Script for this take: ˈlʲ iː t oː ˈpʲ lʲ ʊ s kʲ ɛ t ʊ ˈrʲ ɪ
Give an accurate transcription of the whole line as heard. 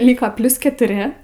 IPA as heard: ˈlʲ iː k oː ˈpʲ lʲ ʊ s kʲ ɛ t ʊ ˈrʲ ɪ